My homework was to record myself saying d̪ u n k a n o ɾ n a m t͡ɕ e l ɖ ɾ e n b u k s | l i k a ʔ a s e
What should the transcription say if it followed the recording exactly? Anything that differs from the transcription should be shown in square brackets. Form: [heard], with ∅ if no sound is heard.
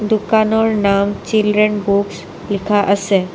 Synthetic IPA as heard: d̪ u [∅] k a n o ɾ n a m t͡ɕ [i] l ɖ ɾ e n b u k s | l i [kʰ] a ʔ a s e